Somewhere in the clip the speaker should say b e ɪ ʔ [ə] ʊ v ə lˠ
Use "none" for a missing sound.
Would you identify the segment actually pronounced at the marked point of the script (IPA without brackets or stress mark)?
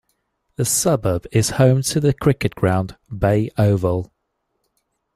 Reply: ə